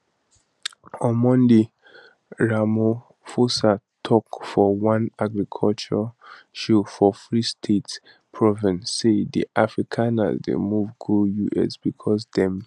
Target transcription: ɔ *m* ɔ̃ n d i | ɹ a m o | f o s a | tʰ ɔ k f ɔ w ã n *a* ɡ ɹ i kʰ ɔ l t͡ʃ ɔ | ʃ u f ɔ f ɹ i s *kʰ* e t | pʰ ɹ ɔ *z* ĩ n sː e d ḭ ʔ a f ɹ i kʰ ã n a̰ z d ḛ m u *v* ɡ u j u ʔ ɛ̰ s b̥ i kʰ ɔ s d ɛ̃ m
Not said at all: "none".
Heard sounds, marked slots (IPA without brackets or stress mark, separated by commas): m, a, tʰ, v, v